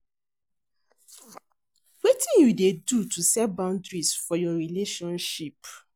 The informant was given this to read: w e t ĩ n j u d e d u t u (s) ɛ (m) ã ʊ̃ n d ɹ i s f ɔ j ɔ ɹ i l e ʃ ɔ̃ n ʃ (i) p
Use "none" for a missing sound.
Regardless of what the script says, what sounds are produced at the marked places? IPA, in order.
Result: s, b, i

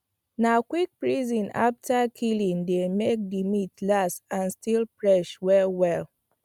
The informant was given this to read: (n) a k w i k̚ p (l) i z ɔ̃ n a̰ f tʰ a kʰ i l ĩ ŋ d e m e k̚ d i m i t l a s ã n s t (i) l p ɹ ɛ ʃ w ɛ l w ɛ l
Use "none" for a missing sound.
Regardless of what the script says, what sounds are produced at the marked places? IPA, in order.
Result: n, ɹ, i

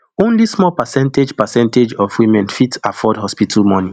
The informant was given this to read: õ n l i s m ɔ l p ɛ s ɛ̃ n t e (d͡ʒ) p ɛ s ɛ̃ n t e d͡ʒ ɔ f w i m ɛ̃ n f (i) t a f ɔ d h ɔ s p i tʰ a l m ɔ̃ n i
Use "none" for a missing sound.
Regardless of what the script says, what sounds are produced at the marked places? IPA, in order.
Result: d͡ʒ, i

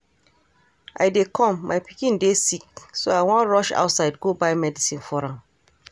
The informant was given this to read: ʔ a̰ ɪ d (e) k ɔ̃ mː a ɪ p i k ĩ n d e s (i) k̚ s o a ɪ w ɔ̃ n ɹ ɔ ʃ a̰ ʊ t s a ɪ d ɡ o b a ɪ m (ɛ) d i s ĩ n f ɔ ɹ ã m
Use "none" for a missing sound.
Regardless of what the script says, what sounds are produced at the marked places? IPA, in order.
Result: e, i, ɛ

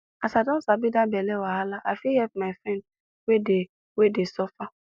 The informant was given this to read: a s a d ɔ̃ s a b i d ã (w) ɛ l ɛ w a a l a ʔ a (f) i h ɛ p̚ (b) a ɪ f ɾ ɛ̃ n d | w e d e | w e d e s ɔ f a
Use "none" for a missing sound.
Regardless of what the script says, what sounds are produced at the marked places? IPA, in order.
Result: b, f, m

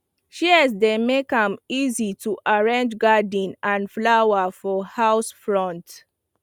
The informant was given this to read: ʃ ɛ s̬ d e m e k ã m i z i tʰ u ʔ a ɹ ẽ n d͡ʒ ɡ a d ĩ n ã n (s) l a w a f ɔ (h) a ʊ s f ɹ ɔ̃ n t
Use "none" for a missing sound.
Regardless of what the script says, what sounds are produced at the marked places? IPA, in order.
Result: f, h

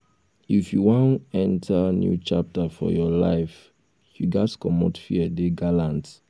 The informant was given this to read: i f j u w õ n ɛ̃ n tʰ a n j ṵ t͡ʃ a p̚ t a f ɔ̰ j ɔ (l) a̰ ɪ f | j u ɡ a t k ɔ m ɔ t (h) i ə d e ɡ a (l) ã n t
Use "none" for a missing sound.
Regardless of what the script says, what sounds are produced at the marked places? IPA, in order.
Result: l, f, l

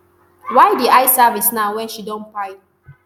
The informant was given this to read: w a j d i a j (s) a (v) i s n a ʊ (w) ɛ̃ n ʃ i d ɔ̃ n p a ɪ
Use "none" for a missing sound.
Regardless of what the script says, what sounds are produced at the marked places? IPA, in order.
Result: s, v, w

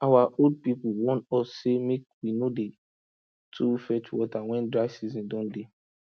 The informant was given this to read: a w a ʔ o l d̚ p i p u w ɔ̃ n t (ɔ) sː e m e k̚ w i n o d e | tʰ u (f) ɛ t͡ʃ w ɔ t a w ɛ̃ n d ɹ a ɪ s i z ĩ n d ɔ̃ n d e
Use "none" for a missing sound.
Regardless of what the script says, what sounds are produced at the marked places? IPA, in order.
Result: ɔ, f

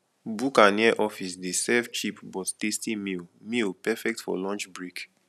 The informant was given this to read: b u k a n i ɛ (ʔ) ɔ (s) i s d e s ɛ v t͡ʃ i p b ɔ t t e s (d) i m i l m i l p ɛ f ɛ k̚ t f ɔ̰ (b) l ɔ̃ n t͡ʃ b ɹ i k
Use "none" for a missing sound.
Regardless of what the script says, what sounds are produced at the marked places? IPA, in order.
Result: ʔ, f, t, none

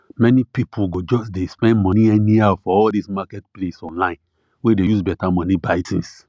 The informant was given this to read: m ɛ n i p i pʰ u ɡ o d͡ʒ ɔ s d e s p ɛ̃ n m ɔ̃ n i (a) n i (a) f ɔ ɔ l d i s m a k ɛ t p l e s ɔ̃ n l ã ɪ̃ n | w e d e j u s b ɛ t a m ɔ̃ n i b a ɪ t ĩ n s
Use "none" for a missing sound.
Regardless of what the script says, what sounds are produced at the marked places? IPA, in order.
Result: ɛ, a

